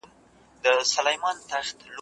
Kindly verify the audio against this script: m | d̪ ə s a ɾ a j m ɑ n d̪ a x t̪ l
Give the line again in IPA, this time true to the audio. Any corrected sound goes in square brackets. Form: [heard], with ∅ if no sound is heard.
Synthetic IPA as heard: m | d̪ ə s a [l] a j m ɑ n [t̪] a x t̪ l